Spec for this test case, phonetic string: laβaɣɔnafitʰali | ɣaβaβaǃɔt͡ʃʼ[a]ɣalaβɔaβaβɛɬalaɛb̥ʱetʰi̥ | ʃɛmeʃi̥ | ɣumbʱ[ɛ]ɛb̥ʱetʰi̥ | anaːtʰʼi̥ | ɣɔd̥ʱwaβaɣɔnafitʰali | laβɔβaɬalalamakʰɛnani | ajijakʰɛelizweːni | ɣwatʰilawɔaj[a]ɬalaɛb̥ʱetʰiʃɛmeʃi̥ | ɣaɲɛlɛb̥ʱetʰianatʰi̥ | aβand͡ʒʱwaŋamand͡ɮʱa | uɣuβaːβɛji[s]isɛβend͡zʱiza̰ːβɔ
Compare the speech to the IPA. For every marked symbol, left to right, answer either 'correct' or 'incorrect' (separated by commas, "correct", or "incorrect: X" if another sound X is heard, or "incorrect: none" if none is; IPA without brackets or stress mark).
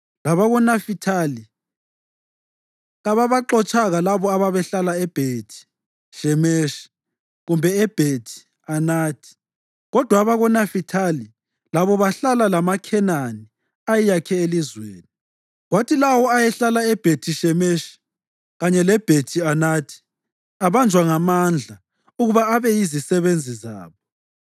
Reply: correct, correct, incorrect: ɛ, incorrect: z